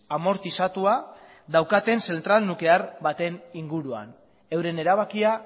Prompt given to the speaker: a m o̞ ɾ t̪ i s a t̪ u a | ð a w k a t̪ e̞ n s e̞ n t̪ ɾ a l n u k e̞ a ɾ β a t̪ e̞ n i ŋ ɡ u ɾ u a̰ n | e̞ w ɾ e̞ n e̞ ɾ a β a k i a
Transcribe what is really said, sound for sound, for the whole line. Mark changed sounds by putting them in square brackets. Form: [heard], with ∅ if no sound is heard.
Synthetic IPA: a m o̞ ɾ t̪ i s a t̪ u a | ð a w k a t̪ e̞ n s e̞ n t̪ ɾ a l n u k e̞ a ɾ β a t̪ e̞ n i ŋ ɡ u ɾ u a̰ n | e̞ w ɾ e̞ n e̞ ɾ a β a k i a